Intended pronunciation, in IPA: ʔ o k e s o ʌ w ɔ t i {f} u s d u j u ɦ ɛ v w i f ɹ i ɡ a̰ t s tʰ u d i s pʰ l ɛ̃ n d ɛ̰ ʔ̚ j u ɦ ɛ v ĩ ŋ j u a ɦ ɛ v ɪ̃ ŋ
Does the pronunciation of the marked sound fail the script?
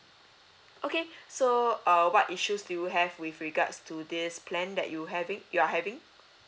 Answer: yes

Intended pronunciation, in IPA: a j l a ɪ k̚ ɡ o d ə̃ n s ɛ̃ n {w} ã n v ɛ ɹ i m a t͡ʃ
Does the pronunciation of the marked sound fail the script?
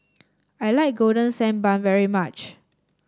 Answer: yes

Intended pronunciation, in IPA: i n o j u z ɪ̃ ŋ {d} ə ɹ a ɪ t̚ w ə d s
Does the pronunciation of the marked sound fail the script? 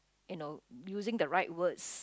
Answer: no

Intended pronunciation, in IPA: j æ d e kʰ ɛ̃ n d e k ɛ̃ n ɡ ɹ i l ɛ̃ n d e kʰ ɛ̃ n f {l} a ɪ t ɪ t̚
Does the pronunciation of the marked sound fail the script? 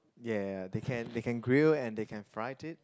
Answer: yes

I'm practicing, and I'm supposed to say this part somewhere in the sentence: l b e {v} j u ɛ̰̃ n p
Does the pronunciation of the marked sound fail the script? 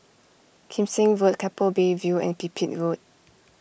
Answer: no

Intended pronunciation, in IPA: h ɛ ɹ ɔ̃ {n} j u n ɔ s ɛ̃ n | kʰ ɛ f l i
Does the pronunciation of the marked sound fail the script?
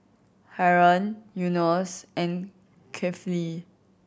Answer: no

